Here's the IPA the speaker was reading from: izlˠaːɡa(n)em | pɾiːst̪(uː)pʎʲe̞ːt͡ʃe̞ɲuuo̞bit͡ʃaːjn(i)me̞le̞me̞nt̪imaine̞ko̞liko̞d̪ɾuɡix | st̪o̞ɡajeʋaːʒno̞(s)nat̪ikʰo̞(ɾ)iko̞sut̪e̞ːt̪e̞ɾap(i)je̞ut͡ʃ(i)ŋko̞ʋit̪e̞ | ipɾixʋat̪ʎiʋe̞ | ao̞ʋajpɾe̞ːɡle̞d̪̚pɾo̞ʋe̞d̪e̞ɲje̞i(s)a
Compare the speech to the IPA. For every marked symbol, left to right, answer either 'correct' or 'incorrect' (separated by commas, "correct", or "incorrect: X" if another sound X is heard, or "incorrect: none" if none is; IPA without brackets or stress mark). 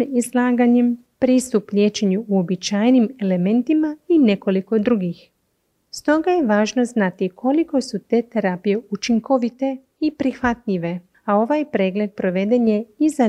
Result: incorrect: ɲ, incorrect: u, correct, incorrect: z, incorrect: l, correct, correct, incorrect: z